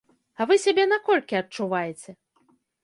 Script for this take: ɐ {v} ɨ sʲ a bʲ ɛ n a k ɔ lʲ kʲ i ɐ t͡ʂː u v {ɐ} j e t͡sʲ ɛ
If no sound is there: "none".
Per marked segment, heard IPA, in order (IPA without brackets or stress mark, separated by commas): v, a